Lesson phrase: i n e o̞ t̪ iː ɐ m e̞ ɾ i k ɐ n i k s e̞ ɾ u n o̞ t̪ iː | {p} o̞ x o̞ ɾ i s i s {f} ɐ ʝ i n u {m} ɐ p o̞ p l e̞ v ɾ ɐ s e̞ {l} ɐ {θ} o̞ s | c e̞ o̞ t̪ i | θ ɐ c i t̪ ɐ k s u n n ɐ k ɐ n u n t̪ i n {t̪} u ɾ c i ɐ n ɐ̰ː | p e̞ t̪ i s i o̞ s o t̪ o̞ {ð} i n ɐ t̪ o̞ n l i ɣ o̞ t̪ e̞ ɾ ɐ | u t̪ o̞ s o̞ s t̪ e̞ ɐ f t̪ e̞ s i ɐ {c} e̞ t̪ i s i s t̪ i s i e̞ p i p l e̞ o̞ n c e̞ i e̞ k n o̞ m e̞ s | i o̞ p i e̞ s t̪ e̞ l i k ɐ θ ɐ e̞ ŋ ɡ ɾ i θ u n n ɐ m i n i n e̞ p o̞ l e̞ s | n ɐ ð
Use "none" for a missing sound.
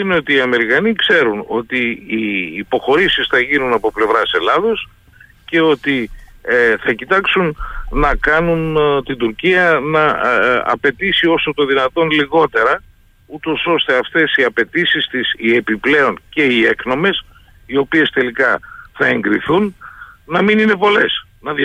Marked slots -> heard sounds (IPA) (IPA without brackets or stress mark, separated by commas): p, θ, n, l, ð, d̪, ð, p